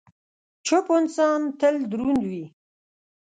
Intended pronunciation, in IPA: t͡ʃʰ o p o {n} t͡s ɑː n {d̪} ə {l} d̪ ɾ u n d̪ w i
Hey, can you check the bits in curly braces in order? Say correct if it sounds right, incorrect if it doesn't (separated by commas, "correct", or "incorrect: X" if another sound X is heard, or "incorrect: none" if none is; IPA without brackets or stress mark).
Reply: correct, incorrect: t̪, correct